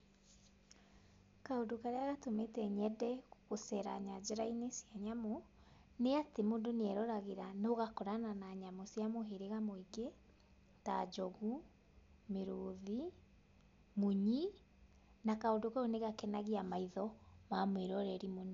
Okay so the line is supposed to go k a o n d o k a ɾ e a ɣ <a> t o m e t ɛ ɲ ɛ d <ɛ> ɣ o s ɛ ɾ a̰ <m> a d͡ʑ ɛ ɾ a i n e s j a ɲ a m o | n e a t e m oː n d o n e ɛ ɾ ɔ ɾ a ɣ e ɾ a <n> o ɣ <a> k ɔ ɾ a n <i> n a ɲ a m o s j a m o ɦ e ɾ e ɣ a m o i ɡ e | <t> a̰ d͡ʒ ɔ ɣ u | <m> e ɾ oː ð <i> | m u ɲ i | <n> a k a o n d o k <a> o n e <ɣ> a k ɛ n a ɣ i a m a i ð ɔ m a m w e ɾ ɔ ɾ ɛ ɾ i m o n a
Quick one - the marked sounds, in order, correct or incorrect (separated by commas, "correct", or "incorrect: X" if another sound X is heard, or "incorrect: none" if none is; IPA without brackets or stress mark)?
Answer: correct, correct, incorrect: ɲ, correct, correct, incorrect: a, correct, correct, correct, correct, correct, correct